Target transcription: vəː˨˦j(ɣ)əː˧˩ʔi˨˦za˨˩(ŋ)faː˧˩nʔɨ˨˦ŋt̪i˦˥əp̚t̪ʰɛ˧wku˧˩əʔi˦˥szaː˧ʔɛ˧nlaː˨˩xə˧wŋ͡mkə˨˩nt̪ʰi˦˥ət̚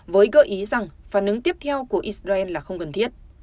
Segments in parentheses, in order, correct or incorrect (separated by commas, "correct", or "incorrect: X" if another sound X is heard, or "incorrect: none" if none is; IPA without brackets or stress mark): correct, correct